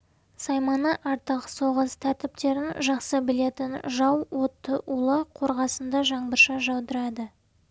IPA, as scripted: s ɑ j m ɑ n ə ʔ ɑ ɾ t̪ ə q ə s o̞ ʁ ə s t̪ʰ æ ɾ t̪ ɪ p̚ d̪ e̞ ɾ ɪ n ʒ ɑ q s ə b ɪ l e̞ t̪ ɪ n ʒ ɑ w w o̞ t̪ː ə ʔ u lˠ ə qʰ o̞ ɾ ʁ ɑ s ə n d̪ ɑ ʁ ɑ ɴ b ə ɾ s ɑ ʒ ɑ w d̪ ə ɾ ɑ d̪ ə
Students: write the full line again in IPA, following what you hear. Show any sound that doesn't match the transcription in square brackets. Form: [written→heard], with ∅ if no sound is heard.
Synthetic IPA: s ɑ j m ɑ n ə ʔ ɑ ɾ t̪ ə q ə s o̞ ʁ ə s t̪ʰ æ ɾ t̪ ɪ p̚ [d̪→t̪] e̞ ɾ ɪ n ʒ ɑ q s ə b ɪ l e̞ t̪ ɪ n ʒ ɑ w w o̞ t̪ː ə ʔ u lˠ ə qʰ o̞ ɾ ʁ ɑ s ə n d̪ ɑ [ʁ→ʒ] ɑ ɴ b ə ɾ [s→ʃ] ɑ ʒ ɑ w d̪ ə ɾ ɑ d̪ ə

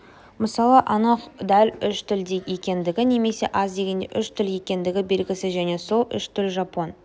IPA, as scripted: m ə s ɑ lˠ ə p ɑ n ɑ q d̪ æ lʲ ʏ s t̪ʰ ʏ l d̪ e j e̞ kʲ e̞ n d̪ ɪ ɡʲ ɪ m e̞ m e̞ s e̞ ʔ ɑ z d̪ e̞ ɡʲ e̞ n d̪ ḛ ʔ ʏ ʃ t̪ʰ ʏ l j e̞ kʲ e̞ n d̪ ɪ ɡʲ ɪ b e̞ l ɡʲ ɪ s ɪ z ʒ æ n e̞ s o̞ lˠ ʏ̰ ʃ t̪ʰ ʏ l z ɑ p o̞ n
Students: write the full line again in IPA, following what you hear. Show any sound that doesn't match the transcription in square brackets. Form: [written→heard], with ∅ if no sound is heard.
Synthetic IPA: m ə s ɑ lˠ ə [p→ʔ] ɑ n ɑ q d̪ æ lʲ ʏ [s→ʃ] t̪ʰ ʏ l d̪ e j e̞ kʲ e̞ n d̪ ɪ ɡʲ ɪ [m→n] e̞ m e̞ s e̞ ʔ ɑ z d̪ e̞ ɡʲ e̞ n d̪ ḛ ʔ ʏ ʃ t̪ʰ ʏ l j e̞ kʲ e̞ n d̪ ɪ ɡʲ ɪ b e̞ l ɡʲ ɪ s ɪ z ʒ æ n e̞ s o̞ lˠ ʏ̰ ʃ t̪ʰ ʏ l [z→ʒ] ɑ p o̞ n

